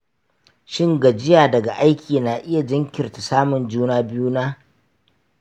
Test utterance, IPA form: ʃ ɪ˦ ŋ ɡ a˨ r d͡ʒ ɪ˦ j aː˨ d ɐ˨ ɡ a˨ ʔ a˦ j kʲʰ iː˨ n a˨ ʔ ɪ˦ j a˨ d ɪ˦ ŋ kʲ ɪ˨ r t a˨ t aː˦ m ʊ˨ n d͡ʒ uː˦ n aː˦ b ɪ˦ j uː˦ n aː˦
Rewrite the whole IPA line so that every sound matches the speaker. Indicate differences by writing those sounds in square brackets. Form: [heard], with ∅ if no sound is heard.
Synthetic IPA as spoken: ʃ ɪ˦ ŋ ɡ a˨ [∅] d͡ʒ ɪ˦ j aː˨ d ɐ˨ ɡ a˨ ʔ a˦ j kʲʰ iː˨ n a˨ ʔ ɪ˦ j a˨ [d͡ʒ] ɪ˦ ŋ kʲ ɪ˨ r t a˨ [s] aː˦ m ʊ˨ n d͡ʒ uː˦ n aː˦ b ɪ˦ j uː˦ n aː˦